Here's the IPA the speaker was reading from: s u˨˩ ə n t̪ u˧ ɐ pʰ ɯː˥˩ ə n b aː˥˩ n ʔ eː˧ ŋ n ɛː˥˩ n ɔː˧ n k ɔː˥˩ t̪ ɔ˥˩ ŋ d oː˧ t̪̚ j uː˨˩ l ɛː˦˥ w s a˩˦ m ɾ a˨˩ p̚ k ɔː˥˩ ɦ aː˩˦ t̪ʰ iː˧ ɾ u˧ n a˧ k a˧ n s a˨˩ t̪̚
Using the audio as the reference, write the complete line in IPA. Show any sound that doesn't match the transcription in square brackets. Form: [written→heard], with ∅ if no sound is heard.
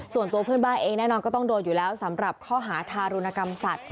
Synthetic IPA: s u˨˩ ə n t̪ u˧ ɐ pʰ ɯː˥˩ ə n b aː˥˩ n ʔ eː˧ ŋ n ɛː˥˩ n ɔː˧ n k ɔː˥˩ t̪ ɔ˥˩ ŋ d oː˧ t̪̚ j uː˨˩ l ɛː˦˥ w s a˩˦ m ɾ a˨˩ p̚ [k→kʰ] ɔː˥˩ ɦ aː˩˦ t̪ʰ [iː˧→aː˧] ɾ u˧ n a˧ k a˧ [n→m] s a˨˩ t̪̚